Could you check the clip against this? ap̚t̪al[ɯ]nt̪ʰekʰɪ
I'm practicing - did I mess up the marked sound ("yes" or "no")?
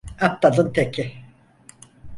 no